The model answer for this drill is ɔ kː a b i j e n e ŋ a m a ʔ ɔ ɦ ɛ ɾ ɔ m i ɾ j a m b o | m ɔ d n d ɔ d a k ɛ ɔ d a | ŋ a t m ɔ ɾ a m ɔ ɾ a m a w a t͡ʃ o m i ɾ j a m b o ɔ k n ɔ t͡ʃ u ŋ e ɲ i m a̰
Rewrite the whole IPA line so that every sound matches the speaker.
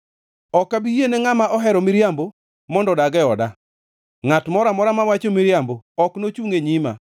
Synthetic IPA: ɔ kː a b i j e n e ŋ a m a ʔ ɔ ɦ ɛ ɾ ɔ m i ɾ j a m b o | m ɔ n d ɔ d a ɡ ɛ ɔ d a | ŋ a t m ɔ ɾ a m ɔ ɾ a m a w a t͡ʃ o m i ɾ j a m b o ɔ k n o t͡ʃ u ŋ e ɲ i m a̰